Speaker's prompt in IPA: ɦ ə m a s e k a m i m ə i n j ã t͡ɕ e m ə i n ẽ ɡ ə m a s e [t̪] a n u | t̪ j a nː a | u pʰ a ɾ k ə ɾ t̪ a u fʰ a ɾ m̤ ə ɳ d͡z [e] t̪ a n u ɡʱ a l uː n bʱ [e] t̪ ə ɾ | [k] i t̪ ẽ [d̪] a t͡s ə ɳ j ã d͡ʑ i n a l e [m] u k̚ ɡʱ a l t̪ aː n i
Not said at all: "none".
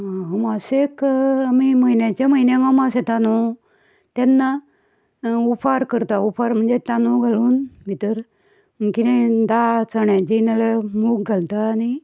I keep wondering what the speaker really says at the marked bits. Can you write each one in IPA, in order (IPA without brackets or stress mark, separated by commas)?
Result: t̪, e, i, k, d̪, m